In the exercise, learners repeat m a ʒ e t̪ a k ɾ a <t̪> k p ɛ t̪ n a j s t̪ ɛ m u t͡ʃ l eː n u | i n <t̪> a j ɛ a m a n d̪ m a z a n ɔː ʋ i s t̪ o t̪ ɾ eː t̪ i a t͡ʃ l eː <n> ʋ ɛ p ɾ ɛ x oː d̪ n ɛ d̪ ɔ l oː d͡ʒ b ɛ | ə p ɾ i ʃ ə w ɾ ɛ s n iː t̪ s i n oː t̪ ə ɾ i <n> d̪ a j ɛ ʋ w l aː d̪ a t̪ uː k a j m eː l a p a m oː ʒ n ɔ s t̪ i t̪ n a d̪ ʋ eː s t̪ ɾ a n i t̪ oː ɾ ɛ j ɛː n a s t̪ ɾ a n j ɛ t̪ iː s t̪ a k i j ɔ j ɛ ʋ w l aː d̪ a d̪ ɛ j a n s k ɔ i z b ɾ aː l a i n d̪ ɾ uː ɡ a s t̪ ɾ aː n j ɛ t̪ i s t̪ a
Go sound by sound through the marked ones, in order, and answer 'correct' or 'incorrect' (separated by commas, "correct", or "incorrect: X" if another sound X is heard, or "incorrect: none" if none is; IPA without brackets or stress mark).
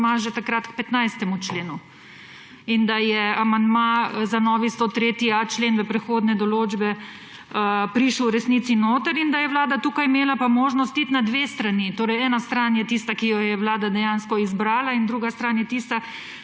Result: correct, incorrect: d̪, correct, correct